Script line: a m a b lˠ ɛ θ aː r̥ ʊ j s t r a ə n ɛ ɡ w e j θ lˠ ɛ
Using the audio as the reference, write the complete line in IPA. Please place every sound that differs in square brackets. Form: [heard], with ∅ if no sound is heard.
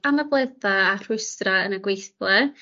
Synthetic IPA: a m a b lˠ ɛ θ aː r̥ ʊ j s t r a ə n [a] ɡ w e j θ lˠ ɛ